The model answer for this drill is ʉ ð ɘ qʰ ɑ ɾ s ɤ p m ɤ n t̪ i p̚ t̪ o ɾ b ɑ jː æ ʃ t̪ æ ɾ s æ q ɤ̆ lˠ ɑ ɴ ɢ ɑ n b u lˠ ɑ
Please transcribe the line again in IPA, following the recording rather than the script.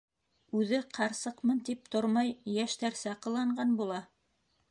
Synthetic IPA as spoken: ʉ ð ɘ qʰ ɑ ɾ s ɤ q m ɤ n t̪ i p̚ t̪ o ɾ m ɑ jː æ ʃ t̪ æ ɾ s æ q ɤ̆ lˠ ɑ ɴ ɢ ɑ n b u lˠ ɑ